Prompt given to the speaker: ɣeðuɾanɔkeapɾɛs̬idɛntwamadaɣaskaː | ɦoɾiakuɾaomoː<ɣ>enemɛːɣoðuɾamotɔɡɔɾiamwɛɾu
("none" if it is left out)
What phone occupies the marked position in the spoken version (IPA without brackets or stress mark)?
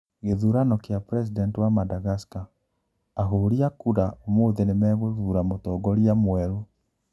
ð